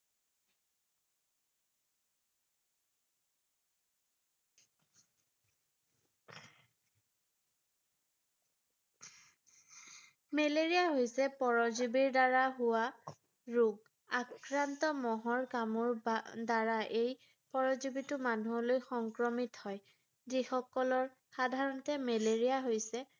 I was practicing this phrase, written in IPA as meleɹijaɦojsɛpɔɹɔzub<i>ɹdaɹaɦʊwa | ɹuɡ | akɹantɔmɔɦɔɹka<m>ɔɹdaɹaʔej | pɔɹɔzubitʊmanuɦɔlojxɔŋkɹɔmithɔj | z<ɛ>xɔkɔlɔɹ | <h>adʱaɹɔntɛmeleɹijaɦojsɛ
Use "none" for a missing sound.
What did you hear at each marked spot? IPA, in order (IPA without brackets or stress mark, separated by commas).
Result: i, m, i, x